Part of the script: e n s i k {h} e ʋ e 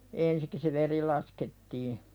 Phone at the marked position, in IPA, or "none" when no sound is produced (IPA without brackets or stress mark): s